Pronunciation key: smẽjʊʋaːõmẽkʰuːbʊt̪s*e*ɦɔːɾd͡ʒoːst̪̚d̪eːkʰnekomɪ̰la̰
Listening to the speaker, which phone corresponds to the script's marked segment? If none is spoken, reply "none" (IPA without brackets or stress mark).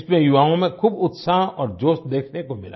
a